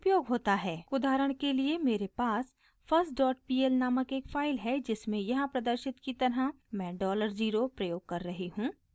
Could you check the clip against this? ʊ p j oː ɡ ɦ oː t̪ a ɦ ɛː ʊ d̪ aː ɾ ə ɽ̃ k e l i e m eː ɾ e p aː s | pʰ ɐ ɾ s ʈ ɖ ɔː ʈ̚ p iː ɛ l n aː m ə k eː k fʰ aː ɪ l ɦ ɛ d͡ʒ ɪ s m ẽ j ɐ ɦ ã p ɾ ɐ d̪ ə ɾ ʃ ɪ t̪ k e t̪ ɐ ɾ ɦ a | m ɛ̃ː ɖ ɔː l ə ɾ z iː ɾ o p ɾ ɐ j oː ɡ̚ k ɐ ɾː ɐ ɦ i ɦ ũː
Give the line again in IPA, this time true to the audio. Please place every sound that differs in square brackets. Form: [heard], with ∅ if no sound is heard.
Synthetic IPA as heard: ʊ p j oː ɡ ɦ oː t̪ a ɦ ɛː ʊ d̪ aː ɾ ə ɽ̃ k e l i e m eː ɾ e p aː s | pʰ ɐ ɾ s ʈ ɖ ɔː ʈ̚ p iː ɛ l n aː m ə k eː k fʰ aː ɪ l ɦ ɛ d͡ʒ ɪ s m ẽ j ɐ ɦ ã p ɾ ɐ d̪ ə ɾ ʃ ɪ t̪ k [i] t̪ ɐ ɾ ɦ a | m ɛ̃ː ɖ ɔː l ə ɾ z iː ɾ o p ɾ ɐ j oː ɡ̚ k ɐ ɾː ɐ ɦ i ɦ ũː

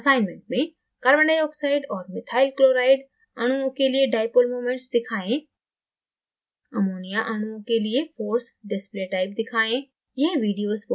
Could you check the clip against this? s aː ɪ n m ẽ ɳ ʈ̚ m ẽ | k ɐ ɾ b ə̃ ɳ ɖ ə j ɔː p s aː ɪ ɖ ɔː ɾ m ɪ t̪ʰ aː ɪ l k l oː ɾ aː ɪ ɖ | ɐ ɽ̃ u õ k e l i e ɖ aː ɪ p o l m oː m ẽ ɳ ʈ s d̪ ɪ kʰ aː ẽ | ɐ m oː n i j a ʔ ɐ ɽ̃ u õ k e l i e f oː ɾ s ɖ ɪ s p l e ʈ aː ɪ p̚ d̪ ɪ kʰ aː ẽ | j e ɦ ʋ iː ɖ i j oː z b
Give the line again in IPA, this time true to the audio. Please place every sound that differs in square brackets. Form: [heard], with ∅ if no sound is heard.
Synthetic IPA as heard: s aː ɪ n m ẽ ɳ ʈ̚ m ẽ | k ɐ ɾ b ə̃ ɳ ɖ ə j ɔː [k] s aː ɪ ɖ ɔː ɾ m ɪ t̪ʰ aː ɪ l k l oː ɾ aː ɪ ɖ | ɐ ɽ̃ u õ k e l i e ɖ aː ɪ p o l m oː m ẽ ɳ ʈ s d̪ ɪ kʰ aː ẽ | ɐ m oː n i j a ʔ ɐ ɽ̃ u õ k e l i e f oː ɾ s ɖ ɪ s p l e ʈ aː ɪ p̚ d̪ ɪ kʰ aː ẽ | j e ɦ ʋ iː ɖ i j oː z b

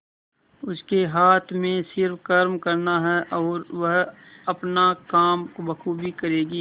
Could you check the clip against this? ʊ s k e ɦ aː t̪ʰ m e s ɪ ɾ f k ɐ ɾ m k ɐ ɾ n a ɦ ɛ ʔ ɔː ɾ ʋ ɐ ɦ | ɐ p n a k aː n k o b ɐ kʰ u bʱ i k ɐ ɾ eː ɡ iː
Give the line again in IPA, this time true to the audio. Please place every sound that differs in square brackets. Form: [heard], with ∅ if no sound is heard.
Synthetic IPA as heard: ʊ s k e ɦ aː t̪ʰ m [ẽ] s ɪ ɾ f k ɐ ɾ m k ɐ ɾ n a ɦ ɛ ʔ ɔː ɾ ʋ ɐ ɦ | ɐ p n a k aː [m] k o b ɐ kʰ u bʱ i k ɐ ɾ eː ɡ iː

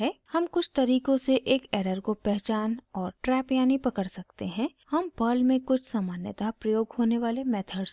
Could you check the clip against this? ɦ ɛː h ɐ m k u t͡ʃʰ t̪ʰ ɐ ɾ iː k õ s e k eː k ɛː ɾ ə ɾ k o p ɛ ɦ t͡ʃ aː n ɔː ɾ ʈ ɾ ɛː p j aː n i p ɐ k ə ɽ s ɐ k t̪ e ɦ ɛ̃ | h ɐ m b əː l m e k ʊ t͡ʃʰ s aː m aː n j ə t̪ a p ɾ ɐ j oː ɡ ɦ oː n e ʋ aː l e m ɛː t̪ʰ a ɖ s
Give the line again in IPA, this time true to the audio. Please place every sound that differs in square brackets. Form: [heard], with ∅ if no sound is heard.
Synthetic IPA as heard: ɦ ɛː h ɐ m k [ʊ] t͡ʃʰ [t̪] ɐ ɾ iː k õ s e [ʔ] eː k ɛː ɾ ə ɾ k o p ɛ ɦ t͡ʃ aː n ɔː ɾ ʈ ɾ ɛː p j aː n i p ɐ k ə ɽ s ɐ k t̪ e ɦ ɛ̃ | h ɐ m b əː l m [ẽ] k ʊ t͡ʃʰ s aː m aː n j ə t̪ a p ɾ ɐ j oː ɡ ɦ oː n e ʋ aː l e m ɛː t̪ʰ [ə] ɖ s

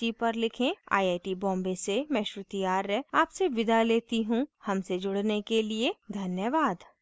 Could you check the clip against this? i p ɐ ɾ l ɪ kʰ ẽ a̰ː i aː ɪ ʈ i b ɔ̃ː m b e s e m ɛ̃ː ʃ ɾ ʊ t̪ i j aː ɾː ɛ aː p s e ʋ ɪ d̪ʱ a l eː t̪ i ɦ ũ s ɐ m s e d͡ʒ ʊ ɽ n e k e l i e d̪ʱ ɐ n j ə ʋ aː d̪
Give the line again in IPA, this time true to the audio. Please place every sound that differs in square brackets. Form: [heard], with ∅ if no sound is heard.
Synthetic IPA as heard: i p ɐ ɾ l ɪ kʰ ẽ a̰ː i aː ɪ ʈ i b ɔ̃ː m b e s e m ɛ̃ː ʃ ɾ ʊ t̪ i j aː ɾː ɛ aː p s e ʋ ɪ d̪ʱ a l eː t̪ i ɦ ũ [h] ɐ m s e d͡ʒ ʊ ɽ n e k e l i e d̪ʱ ɐ n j ə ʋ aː d̪

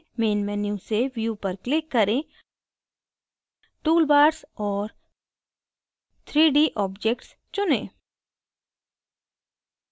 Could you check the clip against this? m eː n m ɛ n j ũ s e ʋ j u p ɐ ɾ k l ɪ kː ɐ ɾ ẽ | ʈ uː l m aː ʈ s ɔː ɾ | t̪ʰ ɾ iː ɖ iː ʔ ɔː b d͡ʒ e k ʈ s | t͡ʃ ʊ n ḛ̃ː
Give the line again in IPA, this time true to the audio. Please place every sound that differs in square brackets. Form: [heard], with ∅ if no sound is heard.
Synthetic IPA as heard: m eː n m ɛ n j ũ s e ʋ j u p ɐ ɾ k l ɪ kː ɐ ɾ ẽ | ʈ uː l [b] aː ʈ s ɔː ɾ | t̪ʰ ɾ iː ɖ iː ʔ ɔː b d͡ʒ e k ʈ s | t͡ʃ ʊ n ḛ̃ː

